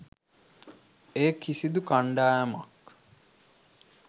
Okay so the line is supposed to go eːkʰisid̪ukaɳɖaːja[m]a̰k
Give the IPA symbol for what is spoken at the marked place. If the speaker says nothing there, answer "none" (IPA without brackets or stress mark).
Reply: m